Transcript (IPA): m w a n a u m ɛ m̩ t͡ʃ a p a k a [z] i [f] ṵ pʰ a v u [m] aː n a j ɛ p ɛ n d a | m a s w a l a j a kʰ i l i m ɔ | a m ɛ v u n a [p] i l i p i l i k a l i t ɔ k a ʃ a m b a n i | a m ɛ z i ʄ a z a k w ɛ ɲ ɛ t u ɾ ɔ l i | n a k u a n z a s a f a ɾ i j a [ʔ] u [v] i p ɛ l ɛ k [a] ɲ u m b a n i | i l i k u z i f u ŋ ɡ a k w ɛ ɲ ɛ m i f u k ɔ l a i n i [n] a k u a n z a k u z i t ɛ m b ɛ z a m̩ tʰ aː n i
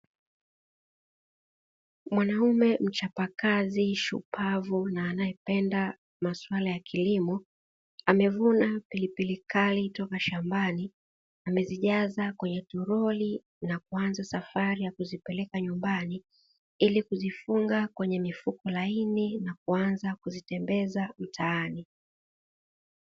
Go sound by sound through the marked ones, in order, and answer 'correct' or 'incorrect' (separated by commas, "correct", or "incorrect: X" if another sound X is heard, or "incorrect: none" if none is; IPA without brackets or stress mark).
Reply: correct, incorrect: ʃ, incorrect: n, correct, incorrect: k, incorrect: z, correct, correct